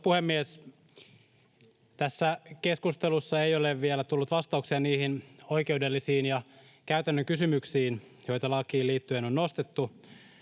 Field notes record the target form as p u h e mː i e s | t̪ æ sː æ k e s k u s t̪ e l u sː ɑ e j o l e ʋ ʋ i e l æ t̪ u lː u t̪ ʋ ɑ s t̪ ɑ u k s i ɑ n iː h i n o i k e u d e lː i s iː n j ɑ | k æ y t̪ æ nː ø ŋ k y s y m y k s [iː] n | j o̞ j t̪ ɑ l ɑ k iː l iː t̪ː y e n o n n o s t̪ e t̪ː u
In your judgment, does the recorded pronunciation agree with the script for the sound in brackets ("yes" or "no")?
yes